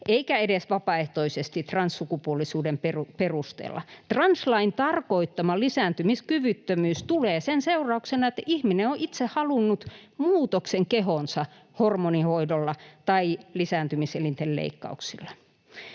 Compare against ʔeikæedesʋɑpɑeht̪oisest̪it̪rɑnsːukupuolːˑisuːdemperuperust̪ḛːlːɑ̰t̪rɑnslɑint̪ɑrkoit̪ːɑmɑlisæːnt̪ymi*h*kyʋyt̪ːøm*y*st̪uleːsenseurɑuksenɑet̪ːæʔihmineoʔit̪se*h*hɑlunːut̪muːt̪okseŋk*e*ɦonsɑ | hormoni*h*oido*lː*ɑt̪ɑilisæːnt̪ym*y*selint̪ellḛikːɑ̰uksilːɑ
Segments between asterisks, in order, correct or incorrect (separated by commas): incorrect, incorrect, correct, correct, correct, correct, incorrect